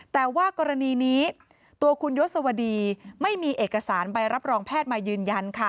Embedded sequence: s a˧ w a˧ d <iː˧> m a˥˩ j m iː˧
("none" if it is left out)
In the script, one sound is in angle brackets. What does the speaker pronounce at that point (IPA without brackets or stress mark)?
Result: iː˧